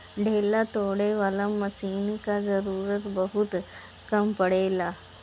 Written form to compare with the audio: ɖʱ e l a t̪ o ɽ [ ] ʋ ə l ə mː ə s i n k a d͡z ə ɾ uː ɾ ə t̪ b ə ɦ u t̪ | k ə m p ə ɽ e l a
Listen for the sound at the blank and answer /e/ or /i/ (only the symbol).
e